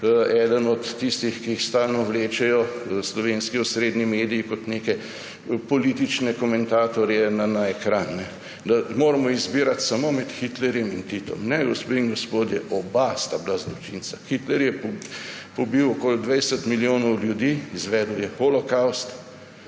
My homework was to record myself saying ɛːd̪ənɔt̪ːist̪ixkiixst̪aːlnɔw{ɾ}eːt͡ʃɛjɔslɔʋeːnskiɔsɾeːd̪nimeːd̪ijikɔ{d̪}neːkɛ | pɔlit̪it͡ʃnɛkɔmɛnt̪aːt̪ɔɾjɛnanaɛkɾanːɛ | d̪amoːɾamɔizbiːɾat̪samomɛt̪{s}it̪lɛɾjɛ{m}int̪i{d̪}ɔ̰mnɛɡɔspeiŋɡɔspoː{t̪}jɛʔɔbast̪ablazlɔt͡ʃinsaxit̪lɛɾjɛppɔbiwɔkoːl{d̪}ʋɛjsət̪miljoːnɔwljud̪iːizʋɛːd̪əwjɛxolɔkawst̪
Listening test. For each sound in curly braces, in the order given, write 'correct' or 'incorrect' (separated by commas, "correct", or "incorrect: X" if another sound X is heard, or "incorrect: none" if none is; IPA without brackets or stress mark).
incorrect: l, incorrect: t̪, incorrect: x, correct, incorrect: t̪, incorrect: d̪, correct